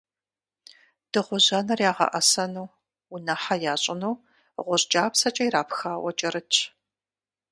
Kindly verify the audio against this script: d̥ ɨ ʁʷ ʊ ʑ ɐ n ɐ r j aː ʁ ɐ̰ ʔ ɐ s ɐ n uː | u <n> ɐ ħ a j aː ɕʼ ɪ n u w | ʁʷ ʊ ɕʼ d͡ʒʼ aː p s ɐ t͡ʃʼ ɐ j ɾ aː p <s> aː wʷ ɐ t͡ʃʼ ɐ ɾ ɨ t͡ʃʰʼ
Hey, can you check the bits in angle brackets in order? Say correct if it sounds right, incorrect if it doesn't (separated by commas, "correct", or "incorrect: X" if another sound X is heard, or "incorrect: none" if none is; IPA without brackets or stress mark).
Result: correct, incorrect: x